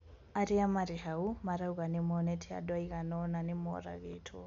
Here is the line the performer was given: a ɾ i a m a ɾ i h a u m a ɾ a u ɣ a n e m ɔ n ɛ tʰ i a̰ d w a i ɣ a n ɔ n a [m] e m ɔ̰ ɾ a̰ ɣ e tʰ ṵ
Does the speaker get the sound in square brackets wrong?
yes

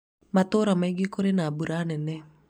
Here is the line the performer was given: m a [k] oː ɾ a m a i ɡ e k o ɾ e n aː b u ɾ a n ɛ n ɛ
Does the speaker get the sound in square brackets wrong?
yes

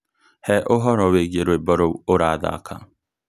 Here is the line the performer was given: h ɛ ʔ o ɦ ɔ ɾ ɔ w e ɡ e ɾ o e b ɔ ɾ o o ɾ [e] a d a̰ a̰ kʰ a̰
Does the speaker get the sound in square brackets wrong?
yes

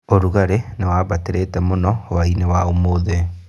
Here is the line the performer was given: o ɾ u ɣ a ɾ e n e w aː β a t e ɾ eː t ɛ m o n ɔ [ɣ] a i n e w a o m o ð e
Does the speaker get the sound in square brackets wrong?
yes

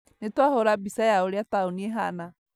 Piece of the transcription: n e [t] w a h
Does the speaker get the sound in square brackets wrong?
no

